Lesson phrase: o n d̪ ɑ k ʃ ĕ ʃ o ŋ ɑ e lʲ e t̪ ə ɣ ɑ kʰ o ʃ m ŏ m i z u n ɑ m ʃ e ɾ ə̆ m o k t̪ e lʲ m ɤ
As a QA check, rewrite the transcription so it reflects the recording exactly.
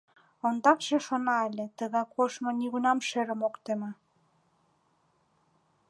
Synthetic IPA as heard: o n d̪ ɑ k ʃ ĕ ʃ o n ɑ e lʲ e t̪ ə ɣ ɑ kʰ o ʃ m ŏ n i ɣ u n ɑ m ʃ e ɾ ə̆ m o k t̪ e m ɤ